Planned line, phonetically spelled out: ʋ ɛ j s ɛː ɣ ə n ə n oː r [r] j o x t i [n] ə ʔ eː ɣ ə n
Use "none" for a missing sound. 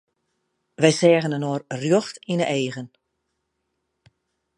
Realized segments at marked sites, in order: r, n

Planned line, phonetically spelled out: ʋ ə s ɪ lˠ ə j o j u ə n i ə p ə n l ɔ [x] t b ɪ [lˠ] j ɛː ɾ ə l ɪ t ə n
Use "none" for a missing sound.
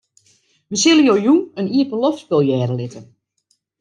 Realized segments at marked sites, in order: f, lˠ

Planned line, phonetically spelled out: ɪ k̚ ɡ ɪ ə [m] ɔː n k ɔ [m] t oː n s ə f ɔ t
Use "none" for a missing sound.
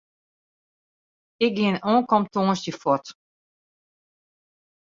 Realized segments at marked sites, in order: n, m

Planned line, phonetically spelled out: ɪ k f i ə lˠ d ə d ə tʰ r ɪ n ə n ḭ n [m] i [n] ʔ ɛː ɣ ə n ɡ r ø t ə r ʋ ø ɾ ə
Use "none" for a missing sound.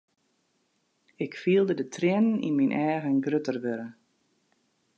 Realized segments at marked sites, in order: m, n

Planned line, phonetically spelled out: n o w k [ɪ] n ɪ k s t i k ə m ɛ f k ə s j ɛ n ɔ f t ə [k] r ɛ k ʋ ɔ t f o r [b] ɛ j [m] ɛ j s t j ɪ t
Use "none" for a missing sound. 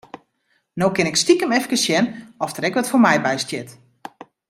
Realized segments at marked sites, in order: ɪ, none, m, b

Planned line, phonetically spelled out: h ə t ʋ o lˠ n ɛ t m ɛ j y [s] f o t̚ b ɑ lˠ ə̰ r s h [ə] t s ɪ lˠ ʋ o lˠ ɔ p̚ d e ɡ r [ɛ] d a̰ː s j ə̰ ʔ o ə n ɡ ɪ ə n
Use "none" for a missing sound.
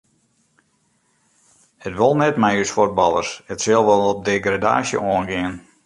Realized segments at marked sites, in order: s, ə, a

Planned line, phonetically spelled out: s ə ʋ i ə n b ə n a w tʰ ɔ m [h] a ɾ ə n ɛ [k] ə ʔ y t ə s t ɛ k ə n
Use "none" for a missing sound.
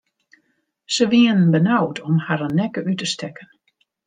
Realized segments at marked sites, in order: h, k

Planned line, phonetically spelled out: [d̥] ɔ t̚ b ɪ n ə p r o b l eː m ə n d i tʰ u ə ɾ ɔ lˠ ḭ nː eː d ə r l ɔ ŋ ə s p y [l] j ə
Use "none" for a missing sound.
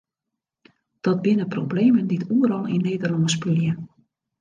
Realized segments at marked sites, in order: d̥, l

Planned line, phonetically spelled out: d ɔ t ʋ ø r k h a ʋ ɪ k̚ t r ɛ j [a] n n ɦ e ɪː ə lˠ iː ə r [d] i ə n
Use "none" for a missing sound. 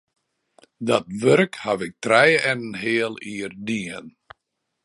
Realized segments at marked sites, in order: ɛ, d

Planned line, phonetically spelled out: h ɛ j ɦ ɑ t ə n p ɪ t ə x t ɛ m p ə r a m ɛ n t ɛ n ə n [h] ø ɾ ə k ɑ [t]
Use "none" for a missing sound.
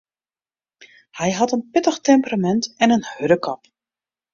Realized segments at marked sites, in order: h, p

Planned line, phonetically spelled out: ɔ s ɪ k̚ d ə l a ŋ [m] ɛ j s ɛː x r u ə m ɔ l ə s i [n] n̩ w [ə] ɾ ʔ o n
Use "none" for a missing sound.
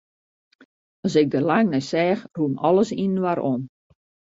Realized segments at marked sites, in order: n, n, a

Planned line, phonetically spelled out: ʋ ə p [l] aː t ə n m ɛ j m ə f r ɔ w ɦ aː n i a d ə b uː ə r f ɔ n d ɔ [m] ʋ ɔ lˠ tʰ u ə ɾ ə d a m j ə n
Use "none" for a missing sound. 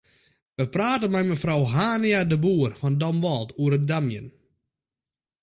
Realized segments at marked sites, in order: r, m

